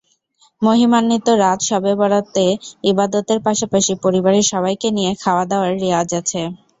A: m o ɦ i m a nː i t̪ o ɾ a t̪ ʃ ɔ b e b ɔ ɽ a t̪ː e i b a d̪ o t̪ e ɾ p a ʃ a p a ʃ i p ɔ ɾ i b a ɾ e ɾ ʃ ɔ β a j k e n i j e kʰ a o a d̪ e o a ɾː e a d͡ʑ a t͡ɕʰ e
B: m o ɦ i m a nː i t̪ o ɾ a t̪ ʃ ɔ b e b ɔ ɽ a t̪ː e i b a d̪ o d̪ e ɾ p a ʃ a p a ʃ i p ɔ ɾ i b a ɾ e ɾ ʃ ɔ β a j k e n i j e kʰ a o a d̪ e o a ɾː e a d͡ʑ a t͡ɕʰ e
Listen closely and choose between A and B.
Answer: A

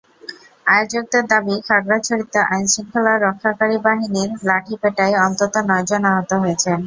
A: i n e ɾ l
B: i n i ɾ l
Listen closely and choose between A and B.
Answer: B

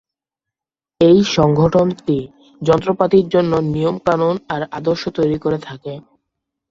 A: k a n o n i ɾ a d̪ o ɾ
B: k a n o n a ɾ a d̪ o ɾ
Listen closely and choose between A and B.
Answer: B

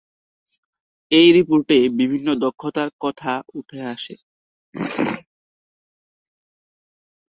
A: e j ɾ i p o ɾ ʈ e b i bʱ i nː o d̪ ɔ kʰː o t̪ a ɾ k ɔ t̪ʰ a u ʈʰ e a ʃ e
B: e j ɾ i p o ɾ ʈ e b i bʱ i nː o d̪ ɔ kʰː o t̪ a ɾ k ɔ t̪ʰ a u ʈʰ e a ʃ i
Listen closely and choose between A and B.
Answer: A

